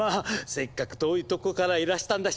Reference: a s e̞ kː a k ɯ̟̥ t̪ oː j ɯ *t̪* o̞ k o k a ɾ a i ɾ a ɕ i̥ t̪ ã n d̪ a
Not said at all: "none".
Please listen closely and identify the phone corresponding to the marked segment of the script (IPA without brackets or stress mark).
t̪